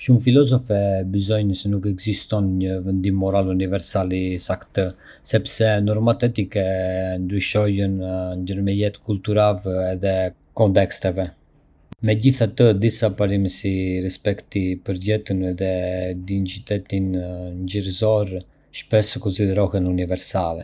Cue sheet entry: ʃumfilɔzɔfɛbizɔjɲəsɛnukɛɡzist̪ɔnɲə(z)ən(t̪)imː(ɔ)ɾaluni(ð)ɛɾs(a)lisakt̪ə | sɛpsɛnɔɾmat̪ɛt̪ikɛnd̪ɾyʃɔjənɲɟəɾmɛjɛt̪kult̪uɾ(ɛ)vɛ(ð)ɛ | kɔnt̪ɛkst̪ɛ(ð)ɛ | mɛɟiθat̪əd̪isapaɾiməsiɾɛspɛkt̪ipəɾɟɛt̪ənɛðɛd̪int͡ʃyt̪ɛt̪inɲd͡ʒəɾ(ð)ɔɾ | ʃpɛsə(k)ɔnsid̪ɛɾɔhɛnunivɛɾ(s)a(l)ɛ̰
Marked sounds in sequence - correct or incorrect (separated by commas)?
incorrect, incorrect, correct, incorrect, correct, incorrect, correct, incorrect, incorrect, correct, correct, correct